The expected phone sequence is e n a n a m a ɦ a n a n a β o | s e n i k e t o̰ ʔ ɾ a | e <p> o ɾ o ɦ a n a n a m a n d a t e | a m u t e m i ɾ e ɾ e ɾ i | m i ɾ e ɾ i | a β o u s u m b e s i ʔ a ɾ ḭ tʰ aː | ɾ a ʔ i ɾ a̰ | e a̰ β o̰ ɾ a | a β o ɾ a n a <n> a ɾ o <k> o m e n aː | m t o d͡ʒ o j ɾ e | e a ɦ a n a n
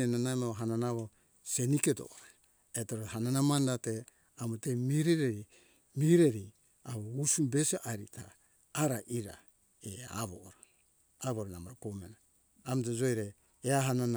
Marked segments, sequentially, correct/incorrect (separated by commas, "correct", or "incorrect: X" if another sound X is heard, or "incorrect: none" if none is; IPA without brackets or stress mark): incorrect: t, incorrect: m, correct